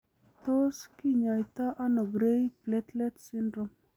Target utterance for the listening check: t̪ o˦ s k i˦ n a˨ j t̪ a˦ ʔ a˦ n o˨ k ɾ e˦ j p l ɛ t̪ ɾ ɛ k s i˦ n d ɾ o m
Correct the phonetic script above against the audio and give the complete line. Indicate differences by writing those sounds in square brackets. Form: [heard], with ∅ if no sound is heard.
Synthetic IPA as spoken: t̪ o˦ s k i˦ [ɲ] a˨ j t̪ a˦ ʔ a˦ n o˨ [ɡ] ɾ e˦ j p l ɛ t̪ [l] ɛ [t] s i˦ n d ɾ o m